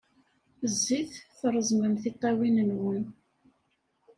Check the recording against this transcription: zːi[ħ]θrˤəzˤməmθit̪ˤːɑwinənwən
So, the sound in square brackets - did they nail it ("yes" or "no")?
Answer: no